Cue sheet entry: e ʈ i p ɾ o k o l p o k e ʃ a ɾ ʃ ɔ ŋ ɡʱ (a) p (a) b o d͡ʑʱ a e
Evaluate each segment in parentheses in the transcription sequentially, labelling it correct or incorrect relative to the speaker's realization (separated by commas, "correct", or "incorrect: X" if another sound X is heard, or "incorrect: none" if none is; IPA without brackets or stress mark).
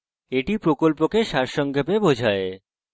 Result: incorrect: e, incorrect: e